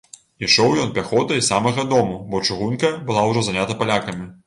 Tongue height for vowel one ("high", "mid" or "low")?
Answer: high